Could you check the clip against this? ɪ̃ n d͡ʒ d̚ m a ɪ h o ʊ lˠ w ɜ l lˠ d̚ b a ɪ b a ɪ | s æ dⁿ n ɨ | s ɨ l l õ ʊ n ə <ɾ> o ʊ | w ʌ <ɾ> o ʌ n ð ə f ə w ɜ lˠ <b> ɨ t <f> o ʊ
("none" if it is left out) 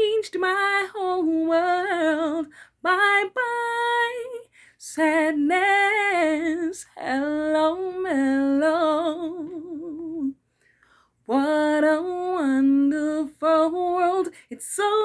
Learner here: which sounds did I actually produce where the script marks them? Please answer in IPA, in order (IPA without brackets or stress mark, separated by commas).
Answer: l, ɾ, d, s